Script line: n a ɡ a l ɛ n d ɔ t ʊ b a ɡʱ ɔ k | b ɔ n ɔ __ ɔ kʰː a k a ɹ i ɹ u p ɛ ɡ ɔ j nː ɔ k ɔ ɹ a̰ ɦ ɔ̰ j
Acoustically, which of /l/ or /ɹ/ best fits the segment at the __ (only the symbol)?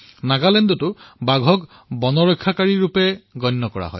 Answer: ɹ